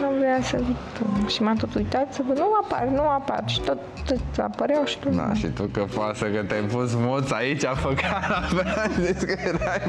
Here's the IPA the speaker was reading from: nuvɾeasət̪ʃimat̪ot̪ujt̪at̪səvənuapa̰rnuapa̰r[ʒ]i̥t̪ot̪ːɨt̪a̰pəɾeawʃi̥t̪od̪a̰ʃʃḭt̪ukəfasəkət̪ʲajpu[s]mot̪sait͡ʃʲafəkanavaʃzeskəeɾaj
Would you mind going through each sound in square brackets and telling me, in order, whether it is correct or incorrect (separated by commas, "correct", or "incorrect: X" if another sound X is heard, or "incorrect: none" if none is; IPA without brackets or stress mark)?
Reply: incorrect: ʃ, correct